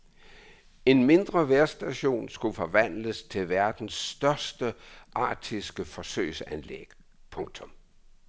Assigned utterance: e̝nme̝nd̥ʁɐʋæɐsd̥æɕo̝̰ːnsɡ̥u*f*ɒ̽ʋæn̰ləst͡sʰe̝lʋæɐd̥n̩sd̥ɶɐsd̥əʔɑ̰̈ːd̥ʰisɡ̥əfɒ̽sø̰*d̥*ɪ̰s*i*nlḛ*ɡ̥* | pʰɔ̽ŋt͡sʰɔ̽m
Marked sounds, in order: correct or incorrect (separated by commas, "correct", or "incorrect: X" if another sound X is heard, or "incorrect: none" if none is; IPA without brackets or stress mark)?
correct, incorrect: none, incorrect: æ, correct